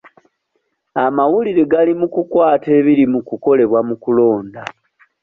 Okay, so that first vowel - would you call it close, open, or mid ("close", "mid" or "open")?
open